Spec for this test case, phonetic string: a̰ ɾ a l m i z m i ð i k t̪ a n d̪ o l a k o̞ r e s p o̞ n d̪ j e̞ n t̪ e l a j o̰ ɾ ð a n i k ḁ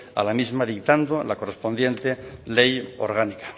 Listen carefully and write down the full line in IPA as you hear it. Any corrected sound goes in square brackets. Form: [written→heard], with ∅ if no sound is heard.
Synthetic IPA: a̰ [ɾ→l] a [l→∅] m i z m [i→a] ð i k t̪ a n d̪ o l a k o̞ r e s p o̞ n d̪ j e̞ n t̪ e l [a→e] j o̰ ɾ [ð→ɣ] a n i k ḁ

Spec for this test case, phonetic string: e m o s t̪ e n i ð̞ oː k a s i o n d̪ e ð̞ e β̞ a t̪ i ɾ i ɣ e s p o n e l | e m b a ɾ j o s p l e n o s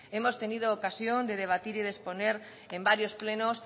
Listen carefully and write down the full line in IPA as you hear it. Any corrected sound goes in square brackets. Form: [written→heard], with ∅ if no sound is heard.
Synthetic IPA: e m o s t̪ e n i ð̞ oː k a s [i→j] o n d̪ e ð̞ e β̞ a t̪ i ɾ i [ɣ→ð] e s p o n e [l→ɾ] | e m b a ɾ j o s p l e n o s

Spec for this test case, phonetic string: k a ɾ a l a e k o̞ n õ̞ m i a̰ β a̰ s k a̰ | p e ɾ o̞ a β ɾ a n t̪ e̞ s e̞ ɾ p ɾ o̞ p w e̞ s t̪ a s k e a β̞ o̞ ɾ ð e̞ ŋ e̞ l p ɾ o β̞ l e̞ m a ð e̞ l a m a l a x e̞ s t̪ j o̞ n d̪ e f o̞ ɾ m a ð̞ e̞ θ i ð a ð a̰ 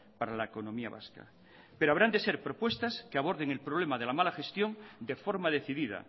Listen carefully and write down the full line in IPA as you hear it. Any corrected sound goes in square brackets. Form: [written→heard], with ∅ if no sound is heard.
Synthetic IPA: [k→p] a ɾ a l a e k o̞ n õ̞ m i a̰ β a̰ s k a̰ | p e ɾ o̞ a β ɾ a n [t̪→d̪] e̞ s e̞ ɾ p ɾ o̞ p w e̞ s t̪ a s k e a β̞ o̞ ɾ ð e̞ ŋ e̞ l p ɾ o β̞ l e̞ m a ð e̞ l a m a l a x e̞ s t̪ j o̞ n d̪ e f o̞ ɾ m a ð̞ e̞ θ i ð [a→i] ð a̰

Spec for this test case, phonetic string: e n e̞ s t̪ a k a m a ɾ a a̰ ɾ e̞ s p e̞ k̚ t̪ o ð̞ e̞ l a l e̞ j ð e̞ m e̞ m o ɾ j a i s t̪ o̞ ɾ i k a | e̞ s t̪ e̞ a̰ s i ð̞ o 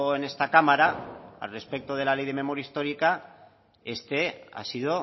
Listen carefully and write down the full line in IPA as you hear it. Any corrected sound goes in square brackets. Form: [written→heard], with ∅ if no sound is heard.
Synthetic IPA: e n e̞ s t̪ a k a m a ɾ a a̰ [ɾ→r] e̞ s p e̞ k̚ t̪ o ð̞ e̞ l a l e̞ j ð e̞ m e̞ m o ɾ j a i s t̪ o̞ ɾ i k a | e̞ s t̪ e̞ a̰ s i ð̞ o

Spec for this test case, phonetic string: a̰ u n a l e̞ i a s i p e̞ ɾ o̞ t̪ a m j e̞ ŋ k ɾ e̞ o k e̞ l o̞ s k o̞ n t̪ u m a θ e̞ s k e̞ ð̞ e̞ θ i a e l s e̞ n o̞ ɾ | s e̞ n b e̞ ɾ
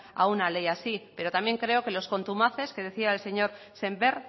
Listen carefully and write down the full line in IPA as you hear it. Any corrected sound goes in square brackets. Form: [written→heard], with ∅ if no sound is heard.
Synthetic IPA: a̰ u n a l e̞ [i→j] a s i p e̞ ɾ o̞ t̪ a m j e̞ ŋ k ɾ e̞ o k e̞ l o̞ s k o̞ n t̪ u m a θ e̞ s k e̞ ð̞ e̞ θ i a e l s e̞ [n→ɲ] o̞ ɾ | s e̞ [n→m] b e̞ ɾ

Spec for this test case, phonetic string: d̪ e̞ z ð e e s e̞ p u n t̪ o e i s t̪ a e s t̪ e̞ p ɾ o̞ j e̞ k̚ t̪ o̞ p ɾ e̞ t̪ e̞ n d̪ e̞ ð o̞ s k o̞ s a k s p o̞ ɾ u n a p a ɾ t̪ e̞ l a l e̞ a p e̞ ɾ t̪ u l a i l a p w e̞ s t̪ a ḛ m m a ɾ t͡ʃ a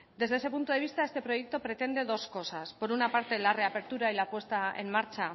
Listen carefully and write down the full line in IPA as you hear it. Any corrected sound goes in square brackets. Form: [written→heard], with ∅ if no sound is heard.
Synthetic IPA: d̪ e̞ z ð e e s e̞ p u n t̪ o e i s t̪ a e s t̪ e̞ p ɾ o̞ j e̞ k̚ t̪ o̞ p ɾ e̞ t̪ e̞ n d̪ e̞ ð o̞ s k o̞ s a [k→∅] s p o̞ ɾ u n a p a ɾ t̪ e̞ l a [l→r] e̞ a p e̞ ɾ t̪ u [l→ɾ] a i l a p w e̞ s t̪ a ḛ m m a ɾ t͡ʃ a

